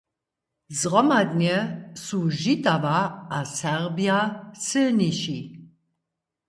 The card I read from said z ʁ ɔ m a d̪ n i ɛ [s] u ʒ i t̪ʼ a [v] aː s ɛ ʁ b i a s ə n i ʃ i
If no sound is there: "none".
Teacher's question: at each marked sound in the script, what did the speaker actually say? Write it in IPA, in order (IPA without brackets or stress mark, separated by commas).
s, v